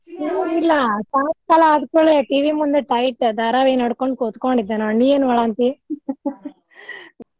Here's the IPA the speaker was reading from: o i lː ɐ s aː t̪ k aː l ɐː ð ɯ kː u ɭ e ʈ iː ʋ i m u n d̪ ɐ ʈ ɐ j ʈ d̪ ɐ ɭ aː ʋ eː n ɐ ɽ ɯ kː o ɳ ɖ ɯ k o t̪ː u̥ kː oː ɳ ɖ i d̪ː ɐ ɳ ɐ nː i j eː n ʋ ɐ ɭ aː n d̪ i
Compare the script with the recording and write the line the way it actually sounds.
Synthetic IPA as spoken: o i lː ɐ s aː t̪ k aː l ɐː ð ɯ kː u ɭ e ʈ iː ʋ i m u n d̪ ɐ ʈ ɐ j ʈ d̪ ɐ ɾ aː ʋ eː n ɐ ɽ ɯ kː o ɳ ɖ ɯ k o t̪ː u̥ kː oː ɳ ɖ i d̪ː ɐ n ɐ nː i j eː n ʋ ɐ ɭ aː n t̪ i